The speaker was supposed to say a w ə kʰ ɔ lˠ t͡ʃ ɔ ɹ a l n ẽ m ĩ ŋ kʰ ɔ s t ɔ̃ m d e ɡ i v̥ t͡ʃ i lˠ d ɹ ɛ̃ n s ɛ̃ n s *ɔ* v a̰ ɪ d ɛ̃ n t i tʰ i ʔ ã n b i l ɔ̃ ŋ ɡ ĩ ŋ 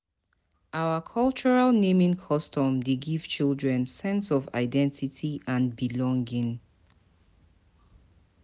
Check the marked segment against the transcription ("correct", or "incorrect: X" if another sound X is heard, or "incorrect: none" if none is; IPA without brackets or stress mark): correct